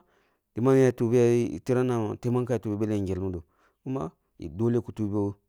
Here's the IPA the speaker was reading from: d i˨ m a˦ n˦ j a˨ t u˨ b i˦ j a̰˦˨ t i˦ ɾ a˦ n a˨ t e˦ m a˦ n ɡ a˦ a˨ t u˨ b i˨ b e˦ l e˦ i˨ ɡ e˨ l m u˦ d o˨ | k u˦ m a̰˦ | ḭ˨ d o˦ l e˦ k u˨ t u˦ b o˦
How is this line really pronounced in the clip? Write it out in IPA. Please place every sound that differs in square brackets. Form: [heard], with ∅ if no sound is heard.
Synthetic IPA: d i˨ m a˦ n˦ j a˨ t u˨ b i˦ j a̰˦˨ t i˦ ɾ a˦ n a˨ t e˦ m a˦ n [k] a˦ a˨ t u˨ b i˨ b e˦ l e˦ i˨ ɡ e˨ l m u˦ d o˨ | k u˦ m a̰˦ | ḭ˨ d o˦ l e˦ k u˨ t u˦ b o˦